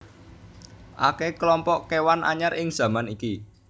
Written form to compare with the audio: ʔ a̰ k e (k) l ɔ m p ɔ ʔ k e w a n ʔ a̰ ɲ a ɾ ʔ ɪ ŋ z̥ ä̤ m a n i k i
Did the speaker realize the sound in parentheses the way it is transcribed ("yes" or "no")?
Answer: yes